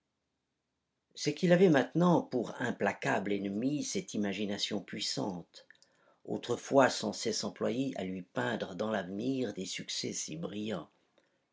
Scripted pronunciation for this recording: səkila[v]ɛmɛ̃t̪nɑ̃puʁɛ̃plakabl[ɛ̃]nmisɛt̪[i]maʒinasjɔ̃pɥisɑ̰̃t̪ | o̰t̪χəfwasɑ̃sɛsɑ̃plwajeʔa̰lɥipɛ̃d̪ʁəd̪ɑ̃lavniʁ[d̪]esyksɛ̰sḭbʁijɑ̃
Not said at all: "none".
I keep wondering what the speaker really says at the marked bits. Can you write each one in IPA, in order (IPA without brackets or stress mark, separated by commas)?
v, ɛ, i, d̪